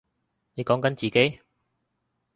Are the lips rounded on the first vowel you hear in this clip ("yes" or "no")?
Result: no